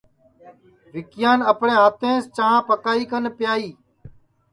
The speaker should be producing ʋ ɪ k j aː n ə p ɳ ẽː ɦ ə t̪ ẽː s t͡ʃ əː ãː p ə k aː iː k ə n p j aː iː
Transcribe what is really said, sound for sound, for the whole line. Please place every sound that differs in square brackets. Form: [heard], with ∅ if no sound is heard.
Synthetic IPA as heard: ʋ ɪ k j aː n ə p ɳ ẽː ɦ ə t̪ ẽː s t͡ʃ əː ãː p ə k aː iː k ə n p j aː iː